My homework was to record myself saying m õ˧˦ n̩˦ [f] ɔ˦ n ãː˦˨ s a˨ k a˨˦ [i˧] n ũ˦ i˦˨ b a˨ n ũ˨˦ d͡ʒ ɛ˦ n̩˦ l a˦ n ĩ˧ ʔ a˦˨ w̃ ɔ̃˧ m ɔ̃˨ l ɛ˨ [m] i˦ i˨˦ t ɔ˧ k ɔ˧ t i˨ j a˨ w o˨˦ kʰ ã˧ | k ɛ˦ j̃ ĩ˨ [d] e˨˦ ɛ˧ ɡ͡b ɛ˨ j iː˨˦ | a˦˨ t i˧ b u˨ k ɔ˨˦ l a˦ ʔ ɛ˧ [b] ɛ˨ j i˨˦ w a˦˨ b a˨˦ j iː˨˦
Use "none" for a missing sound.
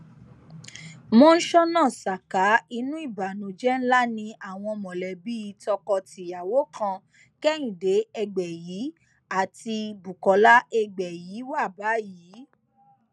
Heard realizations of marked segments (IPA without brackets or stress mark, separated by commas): ʃ, i˧, b, d, ɡ͡b